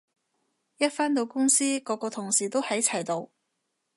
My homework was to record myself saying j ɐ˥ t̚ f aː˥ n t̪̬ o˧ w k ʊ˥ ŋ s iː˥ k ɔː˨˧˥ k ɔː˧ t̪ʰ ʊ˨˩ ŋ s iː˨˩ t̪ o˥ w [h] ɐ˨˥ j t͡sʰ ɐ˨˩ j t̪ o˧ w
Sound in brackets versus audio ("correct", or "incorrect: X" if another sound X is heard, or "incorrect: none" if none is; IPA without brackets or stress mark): correct